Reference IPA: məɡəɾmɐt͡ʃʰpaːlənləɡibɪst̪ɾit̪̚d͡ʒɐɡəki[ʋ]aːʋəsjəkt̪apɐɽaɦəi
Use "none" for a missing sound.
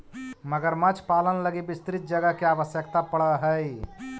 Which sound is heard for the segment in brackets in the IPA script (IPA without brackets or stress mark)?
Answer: none